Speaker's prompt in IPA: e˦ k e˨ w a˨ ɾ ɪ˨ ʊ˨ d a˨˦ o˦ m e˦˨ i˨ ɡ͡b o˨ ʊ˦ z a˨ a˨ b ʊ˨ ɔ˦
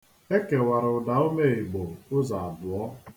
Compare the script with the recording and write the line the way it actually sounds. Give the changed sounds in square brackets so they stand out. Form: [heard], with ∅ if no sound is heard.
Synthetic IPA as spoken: e˦ k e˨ w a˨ ɾ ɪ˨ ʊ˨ d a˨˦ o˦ m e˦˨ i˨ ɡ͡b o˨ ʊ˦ z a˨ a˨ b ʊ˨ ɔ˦